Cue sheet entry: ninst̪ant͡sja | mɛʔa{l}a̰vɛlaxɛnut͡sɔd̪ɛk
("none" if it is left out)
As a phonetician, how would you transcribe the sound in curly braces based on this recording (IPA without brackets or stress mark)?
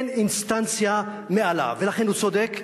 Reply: l